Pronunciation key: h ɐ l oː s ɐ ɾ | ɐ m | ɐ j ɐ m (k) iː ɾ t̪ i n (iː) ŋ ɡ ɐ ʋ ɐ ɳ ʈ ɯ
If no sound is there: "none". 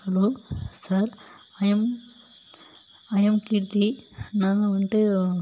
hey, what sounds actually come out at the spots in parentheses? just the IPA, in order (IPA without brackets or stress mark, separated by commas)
k, aː